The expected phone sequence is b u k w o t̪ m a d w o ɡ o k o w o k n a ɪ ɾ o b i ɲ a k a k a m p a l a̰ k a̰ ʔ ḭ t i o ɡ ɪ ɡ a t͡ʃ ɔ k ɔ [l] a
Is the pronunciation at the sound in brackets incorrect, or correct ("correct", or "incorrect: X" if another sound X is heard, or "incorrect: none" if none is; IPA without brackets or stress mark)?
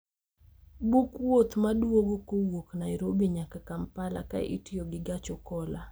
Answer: correct